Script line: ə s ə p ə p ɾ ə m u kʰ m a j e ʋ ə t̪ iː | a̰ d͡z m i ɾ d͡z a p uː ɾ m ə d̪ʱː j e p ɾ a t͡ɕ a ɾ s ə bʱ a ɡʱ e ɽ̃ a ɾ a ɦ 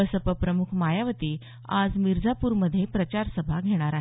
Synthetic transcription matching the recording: ə s ə p ə p ɾ ə m u kʰ m a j a ʋ ə t̪ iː | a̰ d͡z m i ɾ d͡z a p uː ɾ m ə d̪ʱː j e p ɾ ə t͡ɕ a ɾ s ə bʱ a ɡʱ e ɽ̃ a ɾ a ɦ

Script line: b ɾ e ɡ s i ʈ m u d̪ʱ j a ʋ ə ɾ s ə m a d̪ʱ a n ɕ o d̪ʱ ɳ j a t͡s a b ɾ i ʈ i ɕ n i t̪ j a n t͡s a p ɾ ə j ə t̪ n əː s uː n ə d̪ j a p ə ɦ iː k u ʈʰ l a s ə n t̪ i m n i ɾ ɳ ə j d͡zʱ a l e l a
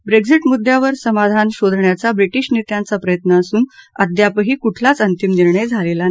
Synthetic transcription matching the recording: b ɾ e ɡ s i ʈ m u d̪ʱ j a ʋ ə ɾ s ə m a d̪ʱ a n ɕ o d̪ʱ ɳ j a t͡s a b ɾ i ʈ i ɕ n i t̪ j a n t͡s a p ɾ ə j ə t̪ n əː s uː n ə d̪ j a p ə ɦ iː k u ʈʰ l a t͡s ə n t̪ i m n i ɾ ɳ ə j d͡zʱ a l e l a

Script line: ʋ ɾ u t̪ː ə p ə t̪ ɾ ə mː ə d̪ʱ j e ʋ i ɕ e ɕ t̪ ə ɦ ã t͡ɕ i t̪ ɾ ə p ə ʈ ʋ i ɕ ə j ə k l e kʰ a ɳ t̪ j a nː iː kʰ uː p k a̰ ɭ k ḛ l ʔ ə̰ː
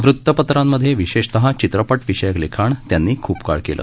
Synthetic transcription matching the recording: ʋ ɾ u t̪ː ə p ə t̪ ɾ a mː ə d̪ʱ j e ʋ i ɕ e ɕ t̪ ə ɦ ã t͡ɕ i t̪ ɾ ə p ə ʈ ʋ i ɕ ə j ə k l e kʰ a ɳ t̪ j a nː iː kʰ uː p k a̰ ɭ k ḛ l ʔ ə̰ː

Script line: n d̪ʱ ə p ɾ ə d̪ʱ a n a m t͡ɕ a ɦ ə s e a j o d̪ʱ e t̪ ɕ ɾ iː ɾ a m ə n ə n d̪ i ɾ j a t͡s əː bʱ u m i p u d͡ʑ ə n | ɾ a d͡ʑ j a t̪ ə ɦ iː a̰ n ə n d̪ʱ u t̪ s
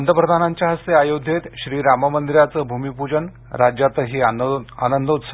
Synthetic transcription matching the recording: n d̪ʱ ə p ɾ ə d̪ʱ a n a ɲ t͡ɕ a ɦ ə s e a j o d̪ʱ e t̪ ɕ ɾ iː ɾ a m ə m ə n d̪ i ɾ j a t͡s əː bʱ u m i p u d͡ʑ ə n | ɾ a d͡ʑ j a t̪ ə ɦ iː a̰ n ə n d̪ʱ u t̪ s

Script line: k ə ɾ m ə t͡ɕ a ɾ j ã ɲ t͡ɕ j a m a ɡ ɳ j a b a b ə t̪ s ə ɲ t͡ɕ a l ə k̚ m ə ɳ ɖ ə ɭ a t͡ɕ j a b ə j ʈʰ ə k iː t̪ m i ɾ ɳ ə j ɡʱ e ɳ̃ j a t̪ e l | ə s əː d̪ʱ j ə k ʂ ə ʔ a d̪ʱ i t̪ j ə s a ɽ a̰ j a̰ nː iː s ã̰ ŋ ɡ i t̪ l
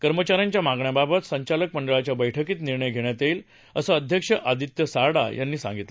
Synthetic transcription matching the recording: k ə ɾ m ə t͡ɕ a ɾ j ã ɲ t͡ɕ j a m a ɡ ɳ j a b a b ə t̪ s ə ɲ t͡ɕ a l ə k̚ m ə ɳ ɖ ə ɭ a t͡ɕ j a b ə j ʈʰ ə k iː t̪ n i ɾ ɳ ə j ɡʱ e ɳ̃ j a t̪ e l | ə s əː d̪ʱ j ə k ʂ ə ʔ a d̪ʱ i t̪ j ə s a ɽ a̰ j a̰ nː iː s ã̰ ŋ ɡ i t̪ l

